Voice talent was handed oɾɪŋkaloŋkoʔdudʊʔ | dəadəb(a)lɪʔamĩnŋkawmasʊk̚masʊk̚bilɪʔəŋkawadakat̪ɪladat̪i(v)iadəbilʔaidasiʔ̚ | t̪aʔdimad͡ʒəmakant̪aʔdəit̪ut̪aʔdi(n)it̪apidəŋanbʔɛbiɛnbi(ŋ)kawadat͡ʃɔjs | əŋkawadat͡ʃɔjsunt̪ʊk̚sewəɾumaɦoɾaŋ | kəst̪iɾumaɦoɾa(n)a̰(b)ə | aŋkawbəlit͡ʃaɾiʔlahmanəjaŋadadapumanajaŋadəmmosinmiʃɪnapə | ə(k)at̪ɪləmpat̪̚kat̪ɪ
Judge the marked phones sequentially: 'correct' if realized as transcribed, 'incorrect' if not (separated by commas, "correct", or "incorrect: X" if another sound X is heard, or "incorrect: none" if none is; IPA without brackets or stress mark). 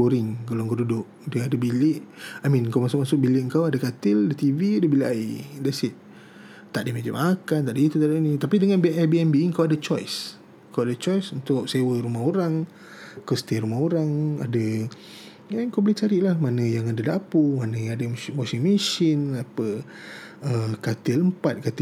incorrect: i, correct, correct, correct, incorrect: ŋ, incorrect: d, correct